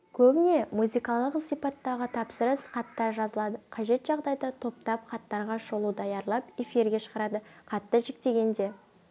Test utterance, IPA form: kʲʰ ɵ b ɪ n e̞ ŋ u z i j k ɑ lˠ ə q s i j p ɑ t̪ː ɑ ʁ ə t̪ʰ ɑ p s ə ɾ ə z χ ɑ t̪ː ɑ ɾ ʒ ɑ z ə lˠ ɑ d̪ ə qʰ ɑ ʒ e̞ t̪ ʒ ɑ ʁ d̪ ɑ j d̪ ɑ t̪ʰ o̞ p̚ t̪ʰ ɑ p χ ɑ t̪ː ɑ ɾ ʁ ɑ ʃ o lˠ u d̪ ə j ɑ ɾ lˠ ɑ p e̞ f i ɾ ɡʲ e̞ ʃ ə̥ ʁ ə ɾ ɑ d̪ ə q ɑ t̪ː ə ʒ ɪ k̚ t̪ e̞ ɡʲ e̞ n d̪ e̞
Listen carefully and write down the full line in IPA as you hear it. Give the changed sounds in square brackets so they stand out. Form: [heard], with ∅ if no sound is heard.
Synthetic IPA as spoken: kʲʰ ɵ b ɪ n e̞ [m] u z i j k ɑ lˠ ə q s i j p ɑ t̪ː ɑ ʁ ə t̪ʰ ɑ p s ə ɾ ə [s] χ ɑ t̪ː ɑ ɾ ʒ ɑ z ə lˠ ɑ d̪ ə qʰ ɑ ʒ e̞ t̪ ʒ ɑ ʁ d̪ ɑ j d̪ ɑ t̪ʰ o̞ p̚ [t̪] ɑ p χ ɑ t̪ː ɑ ɾ ʁ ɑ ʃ o lˠ u d̪ [ɑ] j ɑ ɾ lˠ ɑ p e̞ f i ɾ ɡʲ e̞ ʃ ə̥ ʁ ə ɾ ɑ d̪ ə q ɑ t̪ː ə ʒ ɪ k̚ t̪ e̞ ɡʲ e̞ n d̪ e̞